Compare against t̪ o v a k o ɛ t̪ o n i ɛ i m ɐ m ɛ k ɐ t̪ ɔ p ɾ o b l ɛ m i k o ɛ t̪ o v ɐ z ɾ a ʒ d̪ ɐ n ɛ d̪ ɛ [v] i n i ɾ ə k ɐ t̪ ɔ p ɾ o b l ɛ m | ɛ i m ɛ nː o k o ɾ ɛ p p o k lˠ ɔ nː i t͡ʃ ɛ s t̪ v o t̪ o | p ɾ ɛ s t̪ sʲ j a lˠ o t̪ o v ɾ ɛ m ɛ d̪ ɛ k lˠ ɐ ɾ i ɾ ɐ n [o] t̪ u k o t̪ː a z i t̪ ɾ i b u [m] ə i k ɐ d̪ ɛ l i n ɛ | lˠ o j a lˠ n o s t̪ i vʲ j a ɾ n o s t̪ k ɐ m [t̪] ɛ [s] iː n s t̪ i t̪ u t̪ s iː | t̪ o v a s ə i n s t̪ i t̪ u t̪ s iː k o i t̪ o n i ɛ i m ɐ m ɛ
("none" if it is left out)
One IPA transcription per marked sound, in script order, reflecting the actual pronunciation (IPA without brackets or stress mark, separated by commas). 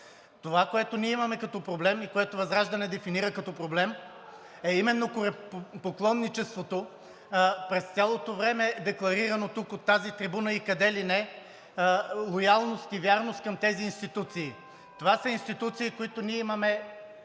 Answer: f, o, n, t̪, z